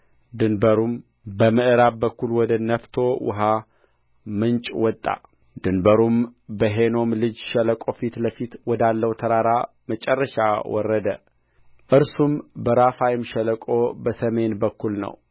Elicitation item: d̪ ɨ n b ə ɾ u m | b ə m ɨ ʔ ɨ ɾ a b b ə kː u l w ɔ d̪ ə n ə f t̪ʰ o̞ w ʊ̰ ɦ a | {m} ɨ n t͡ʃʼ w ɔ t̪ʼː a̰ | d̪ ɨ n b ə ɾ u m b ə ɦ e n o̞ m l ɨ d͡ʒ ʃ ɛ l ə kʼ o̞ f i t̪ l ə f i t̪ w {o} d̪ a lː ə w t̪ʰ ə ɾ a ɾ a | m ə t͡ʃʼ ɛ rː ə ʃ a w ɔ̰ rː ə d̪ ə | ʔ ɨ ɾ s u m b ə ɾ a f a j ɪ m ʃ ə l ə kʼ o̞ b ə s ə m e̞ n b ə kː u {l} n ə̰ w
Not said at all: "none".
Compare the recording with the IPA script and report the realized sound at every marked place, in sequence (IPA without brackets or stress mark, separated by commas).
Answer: m, ɔ, l